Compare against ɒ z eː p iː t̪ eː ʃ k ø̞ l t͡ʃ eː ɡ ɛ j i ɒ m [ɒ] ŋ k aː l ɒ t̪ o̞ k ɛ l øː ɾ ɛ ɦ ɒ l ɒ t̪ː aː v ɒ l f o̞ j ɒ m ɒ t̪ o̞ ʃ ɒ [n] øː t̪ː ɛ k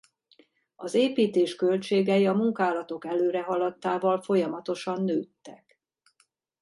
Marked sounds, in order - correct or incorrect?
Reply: incorrect: u, incorrect: nː

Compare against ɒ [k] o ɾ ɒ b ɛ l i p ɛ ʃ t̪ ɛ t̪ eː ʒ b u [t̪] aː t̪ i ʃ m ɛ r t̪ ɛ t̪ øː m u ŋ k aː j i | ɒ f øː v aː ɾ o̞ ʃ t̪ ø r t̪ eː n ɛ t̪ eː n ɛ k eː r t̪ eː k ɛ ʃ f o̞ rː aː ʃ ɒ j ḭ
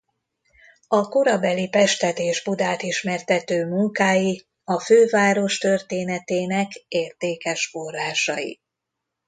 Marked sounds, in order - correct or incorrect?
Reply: correct, incorrect: d̪

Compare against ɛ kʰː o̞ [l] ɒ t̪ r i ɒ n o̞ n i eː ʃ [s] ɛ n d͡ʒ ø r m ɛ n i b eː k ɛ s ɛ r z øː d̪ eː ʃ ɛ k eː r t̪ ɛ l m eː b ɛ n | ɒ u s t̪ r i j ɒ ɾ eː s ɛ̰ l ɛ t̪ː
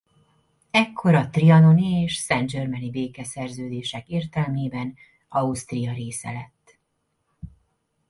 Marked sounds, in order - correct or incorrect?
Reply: incorrect: ɾ, correct

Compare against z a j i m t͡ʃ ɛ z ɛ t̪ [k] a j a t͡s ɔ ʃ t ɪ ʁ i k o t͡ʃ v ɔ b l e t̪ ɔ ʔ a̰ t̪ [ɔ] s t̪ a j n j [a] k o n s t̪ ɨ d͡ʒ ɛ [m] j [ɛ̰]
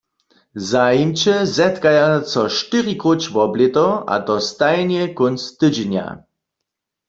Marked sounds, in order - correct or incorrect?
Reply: correct, correct, incorrect: ɛ, incorrect: n, incorrect: a̰

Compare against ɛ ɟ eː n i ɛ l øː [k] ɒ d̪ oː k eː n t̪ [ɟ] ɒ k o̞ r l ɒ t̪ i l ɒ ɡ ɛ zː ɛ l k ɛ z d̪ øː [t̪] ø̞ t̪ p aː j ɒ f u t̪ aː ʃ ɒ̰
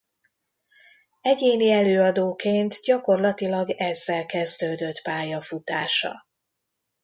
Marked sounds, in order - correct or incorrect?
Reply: incorrect: none, correct, incorrect: d̪

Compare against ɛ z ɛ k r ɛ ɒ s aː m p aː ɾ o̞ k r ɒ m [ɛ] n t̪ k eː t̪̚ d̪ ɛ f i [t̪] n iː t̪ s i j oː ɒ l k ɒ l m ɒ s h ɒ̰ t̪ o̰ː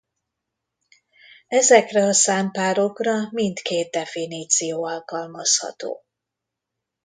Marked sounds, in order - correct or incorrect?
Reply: incorrect: i, incorrect: none

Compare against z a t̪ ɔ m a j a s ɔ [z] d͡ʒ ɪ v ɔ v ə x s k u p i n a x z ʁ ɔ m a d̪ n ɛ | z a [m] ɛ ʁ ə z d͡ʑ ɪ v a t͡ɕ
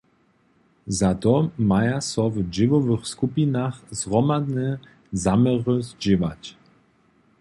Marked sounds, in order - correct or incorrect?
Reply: incorrect: v, correct

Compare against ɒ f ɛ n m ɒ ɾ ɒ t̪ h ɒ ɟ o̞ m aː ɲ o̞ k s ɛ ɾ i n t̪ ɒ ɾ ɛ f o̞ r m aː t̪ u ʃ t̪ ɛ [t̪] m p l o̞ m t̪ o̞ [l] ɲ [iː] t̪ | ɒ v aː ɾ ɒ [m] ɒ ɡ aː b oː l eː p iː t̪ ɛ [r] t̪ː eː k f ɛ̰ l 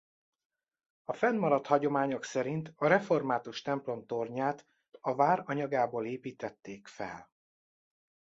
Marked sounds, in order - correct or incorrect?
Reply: incorrect: none, incorrect: r, incorrect: aː, incorrect: ɲ, incorrect: none

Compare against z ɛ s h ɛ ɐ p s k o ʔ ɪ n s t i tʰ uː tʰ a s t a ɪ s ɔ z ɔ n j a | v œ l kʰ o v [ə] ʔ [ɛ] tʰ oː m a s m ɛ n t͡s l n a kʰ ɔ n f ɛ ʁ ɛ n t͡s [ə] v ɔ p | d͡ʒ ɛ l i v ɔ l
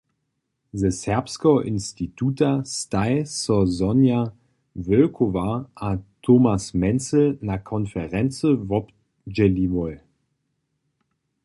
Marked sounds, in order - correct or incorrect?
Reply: incorrect: a, incorrect: a, correct

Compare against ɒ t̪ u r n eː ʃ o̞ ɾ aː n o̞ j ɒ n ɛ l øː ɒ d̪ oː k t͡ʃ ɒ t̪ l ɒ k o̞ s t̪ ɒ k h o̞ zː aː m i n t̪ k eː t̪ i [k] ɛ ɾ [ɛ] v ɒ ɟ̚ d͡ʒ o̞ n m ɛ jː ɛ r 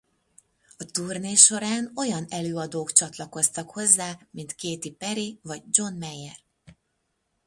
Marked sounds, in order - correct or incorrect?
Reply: incorrect: p, incorrect: i

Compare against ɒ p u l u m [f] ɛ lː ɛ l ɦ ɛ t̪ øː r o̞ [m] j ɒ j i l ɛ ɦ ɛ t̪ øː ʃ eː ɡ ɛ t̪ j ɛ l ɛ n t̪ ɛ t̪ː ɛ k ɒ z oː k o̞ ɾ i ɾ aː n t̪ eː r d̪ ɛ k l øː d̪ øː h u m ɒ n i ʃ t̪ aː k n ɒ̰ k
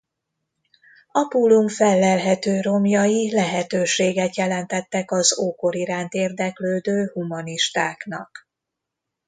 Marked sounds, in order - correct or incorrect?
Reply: correct, correct

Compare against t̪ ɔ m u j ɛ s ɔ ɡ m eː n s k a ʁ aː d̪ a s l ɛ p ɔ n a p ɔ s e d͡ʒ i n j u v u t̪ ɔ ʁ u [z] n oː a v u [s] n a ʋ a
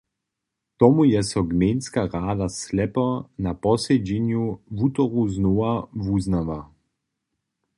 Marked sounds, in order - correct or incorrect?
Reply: correct, incorrect: z

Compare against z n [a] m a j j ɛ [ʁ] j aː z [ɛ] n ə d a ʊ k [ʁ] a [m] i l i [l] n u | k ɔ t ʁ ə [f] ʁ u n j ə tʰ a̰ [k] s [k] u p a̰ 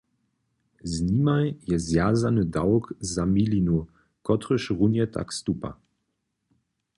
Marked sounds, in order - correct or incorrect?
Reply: incorrect: i, incorrect: z, incorrect: a, incorrect: z, correct, incorrect: none, incorrect: ʃ, correct, incorrect: t

